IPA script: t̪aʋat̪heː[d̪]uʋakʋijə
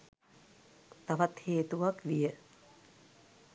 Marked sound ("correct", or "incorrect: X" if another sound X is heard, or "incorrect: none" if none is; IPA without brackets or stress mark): incorrect: t̪